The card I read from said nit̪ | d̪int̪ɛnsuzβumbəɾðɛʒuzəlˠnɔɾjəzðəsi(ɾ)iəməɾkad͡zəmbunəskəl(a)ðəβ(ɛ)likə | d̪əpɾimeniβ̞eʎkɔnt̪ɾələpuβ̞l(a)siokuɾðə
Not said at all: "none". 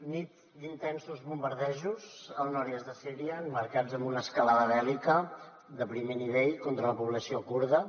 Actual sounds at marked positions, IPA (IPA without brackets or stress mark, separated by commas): ɾ, a, ɛ, ə